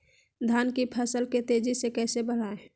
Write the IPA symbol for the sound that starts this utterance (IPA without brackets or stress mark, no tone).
d̪ʱ